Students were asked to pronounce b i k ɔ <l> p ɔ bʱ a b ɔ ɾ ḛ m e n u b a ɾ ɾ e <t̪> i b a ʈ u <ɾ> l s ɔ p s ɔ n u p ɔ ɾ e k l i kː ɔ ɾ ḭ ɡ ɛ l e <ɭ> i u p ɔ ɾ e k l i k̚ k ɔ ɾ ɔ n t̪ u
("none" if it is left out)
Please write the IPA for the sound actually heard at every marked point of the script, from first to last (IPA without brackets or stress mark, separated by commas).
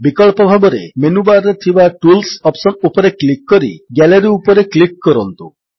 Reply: ɭ, t̪ʰ, none, ɾ